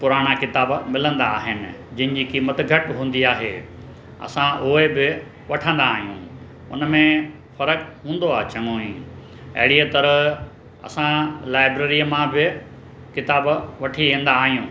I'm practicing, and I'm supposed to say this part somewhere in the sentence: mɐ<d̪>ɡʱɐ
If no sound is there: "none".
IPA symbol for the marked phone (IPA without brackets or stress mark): t̪